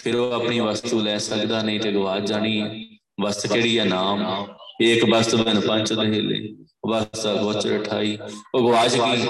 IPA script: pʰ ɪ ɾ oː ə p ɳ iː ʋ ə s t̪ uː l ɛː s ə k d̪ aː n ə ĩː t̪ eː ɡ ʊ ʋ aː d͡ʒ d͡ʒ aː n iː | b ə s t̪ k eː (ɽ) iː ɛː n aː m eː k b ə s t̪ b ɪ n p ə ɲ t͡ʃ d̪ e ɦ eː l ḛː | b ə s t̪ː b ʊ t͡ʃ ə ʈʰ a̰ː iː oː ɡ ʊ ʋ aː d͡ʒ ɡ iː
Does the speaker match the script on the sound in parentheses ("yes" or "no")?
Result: yes